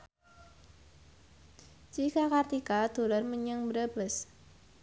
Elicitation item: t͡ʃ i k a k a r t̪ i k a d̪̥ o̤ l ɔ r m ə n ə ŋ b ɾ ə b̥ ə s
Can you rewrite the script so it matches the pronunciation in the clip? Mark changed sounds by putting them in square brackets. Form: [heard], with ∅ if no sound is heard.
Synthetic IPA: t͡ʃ i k a k a r t̪ i k a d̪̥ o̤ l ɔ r m ə [ɲ] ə ŋ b ɾ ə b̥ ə s

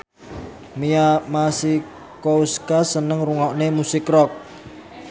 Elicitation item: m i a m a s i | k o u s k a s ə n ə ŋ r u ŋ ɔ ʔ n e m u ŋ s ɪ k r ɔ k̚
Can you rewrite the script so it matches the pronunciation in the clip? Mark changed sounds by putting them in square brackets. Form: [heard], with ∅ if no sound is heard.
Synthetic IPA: m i a m a s i | k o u s k a s ə n ə ŋ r u ŋ ɔ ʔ n e m u [∅] s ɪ k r ɔ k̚

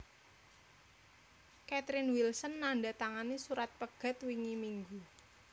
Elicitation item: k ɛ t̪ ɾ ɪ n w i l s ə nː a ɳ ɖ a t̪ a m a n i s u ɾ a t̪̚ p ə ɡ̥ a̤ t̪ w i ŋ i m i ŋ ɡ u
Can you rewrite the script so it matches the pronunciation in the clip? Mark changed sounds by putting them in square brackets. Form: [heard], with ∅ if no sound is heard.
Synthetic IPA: k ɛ t̪ ɾ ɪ n w i l s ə nː a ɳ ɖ a t̪ a [ŋ] a n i s u ɾ a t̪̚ p ə ɡ̥ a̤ t̪ w i ŋ i m i ŋ ɡ u

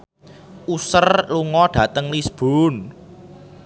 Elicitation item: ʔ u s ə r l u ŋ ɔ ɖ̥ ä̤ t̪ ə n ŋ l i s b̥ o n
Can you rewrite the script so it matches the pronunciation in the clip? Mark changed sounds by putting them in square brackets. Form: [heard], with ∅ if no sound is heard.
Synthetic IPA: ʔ u s ə r l u ŋ ɔ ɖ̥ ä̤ t̪ ə [∅] ŋ l i s b̥ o n

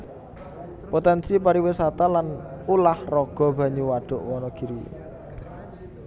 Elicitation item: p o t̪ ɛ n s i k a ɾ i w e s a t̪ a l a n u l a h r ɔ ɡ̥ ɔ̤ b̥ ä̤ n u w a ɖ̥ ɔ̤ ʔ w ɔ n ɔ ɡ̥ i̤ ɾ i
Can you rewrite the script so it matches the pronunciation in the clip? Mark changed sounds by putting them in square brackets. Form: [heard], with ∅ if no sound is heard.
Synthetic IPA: p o t̪ ɛ n s i [p] a ɾ i w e s a t̪ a l a n u l a h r ɔ ɡ̥ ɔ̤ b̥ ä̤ [ɲ] u w a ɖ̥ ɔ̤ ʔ w ɔ n ɔ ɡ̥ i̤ ɾ i

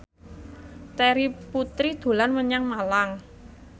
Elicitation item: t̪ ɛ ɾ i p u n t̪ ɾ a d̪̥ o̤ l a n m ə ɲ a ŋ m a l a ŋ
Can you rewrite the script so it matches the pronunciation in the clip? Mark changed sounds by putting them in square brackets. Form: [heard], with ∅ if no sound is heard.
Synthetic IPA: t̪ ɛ ɾ i p u [∅] t̪ ɾ [i] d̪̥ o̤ l a n m ə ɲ a ŋ m a l a ŋ

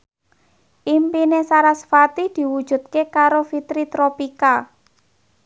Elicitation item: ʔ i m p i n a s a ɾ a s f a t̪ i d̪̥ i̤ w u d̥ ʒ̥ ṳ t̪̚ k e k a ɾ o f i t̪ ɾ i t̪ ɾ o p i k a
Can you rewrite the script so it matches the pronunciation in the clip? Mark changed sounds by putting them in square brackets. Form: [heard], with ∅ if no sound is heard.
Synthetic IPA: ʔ i m p i n [e] s a ɾ a s f a t̪ i d̪̥ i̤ w u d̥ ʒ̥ ṳ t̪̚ k e k a ɾ o f i t̪ ɾ i t̪ ɾ o p i k a

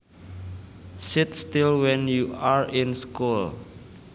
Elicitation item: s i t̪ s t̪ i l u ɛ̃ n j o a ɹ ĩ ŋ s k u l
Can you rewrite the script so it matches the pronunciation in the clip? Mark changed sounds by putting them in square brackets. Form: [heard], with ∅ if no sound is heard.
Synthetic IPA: s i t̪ s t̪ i l [w] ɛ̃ n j [u] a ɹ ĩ [n] s k u l

